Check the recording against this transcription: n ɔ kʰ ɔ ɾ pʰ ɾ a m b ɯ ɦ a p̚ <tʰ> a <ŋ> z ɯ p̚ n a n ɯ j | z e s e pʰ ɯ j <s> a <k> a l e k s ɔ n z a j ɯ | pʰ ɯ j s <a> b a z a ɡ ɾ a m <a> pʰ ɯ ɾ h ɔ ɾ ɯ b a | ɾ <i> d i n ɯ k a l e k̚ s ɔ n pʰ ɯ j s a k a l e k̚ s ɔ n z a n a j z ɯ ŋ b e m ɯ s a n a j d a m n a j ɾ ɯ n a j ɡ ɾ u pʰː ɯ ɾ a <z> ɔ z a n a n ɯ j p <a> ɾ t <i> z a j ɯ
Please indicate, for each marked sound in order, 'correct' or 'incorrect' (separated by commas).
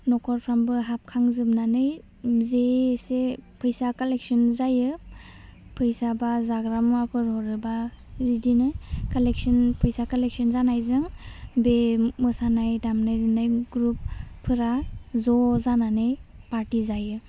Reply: incorrect, correct, correct, correct, correct, correct, correct, correct, correct, correct